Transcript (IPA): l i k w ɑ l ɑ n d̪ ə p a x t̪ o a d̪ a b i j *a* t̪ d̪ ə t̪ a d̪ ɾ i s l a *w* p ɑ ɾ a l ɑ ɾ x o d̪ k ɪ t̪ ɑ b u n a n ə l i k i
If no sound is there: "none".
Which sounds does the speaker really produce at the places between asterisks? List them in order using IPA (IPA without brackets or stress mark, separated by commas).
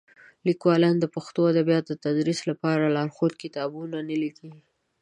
ɑ, none